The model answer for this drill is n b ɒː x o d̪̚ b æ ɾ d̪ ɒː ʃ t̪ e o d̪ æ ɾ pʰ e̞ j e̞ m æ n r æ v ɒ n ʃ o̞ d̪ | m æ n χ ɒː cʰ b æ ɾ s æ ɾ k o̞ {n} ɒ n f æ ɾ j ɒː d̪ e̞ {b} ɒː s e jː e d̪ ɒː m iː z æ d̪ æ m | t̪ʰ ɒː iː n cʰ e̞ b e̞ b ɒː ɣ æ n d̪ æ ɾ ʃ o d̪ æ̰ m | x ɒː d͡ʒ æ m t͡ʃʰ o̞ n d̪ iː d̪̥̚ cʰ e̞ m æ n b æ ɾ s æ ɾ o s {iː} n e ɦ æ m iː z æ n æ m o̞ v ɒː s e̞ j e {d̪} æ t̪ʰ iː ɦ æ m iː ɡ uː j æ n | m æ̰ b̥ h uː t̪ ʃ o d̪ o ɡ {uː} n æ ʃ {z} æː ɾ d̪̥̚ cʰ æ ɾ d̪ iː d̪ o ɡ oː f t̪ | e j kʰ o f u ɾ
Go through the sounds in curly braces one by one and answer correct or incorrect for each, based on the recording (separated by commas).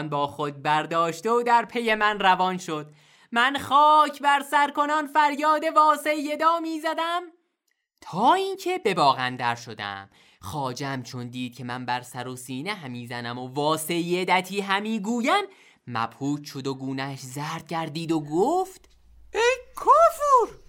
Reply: correct, incorrect, correct, correct, correct, correct